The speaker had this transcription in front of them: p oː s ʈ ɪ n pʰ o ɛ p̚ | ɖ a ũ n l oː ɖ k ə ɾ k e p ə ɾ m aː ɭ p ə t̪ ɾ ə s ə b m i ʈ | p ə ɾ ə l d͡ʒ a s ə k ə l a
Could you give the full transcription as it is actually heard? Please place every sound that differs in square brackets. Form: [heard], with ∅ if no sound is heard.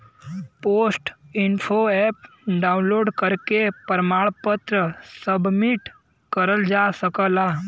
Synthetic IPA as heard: p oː s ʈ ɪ n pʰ o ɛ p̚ | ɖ a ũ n l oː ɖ k ə ɾ k e p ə ɾ m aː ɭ p ə t̪ ɾ ə s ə b m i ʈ | [k] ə ɾ ə l d͡ʒ a s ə k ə l a